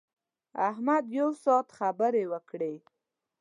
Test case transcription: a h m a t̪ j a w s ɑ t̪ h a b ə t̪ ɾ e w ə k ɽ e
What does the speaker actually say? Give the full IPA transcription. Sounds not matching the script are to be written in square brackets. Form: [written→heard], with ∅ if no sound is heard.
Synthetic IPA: a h m a [t̪→d̪] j a w s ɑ t̪ [h→x] a b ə [t̪→∅] ɾ e w ə k ɽ e